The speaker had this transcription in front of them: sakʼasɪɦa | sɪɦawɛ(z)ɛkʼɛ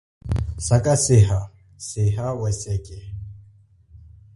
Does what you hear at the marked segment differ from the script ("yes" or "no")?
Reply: yes